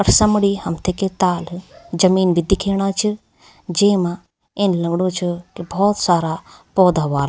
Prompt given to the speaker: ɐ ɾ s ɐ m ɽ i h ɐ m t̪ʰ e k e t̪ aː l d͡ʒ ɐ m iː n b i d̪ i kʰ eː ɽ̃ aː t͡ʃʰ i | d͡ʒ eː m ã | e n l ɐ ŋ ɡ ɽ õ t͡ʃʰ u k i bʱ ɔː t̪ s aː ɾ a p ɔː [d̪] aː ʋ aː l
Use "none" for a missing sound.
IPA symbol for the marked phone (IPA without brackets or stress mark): d̪